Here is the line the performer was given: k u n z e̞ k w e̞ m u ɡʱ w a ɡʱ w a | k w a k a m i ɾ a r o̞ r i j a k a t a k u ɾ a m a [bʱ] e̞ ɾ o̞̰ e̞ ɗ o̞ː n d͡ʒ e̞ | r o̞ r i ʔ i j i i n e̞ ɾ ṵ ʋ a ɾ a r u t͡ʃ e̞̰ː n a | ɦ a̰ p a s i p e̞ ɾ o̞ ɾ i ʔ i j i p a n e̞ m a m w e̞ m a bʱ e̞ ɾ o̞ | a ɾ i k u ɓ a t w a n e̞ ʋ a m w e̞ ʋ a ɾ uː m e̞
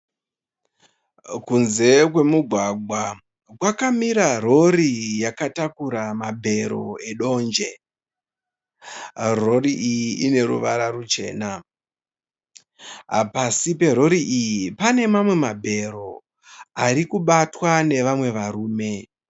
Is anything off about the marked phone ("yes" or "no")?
no